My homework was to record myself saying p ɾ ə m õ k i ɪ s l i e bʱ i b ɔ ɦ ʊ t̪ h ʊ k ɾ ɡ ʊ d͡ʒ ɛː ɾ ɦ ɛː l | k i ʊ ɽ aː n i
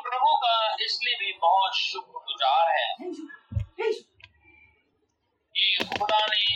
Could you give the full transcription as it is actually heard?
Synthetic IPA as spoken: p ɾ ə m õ k a ɪ s l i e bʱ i b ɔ ɦ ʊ t̪ ʃ ʊ k ɾ ɡ ʊ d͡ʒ aː ɾ ɦ ɛː | k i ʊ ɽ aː n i